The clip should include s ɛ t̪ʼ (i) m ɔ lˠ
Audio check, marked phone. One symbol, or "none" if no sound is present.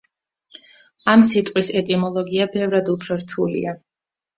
i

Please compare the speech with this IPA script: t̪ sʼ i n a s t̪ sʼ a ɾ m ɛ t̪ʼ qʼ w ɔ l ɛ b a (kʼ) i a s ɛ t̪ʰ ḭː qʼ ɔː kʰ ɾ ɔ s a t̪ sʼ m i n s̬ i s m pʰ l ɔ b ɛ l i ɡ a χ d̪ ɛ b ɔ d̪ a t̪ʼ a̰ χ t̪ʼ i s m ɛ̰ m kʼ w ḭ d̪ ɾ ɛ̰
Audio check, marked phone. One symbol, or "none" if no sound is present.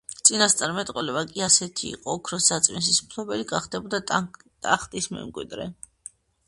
kʼ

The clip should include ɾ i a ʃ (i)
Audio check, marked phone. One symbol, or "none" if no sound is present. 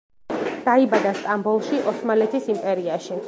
i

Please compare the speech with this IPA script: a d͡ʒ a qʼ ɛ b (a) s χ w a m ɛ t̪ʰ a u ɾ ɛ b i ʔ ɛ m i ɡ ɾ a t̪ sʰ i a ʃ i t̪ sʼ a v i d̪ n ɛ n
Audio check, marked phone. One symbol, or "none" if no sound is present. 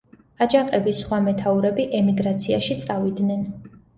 i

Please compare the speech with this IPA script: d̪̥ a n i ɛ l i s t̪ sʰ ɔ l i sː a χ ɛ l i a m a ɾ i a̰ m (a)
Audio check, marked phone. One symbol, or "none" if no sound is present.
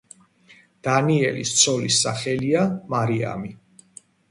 i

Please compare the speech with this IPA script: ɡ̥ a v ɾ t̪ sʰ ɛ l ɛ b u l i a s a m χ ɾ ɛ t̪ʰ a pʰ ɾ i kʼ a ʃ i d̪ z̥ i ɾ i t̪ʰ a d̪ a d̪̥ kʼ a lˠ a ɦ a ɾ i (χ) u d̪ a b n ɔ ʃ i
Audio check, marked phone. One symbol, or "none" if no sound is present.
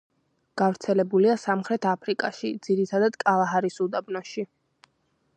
s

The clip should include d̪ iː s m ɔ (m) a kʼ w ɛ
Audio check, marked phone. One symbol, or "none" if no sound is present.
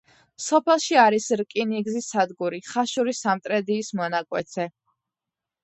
n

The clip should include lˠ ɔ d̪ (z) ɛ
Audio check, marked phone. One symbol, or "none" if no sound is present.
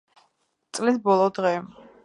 ʁ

